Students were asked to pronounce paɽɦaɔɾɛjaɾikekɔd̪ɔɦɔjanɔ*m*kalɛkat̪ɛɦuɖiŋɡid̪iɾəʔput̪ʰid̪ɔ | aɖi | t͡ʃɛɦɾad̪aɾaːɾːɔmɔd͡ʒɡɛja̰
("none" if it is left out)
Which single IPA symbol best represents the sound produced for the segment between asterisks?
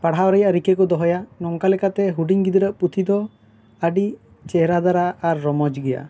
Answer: ŋ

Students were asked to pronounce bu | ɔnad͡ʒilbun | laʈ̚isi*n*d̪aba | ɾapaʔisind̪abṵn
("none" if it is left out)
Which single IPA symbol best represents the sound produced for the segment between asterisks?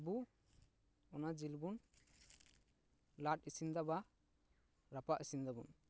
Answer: n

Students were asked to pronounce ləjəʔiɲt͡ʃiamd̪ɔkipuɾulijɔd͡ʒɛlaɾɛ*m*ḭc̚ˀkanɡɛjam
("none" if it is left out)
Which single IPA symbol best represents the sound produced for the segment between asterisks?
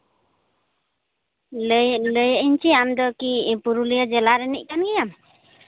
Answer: n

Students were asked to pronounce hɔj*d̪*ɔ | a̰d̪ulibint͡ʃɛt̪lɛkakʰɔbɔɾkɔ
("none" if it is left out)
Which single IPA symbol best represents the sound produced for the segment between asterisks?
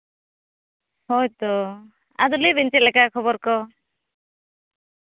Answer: t̪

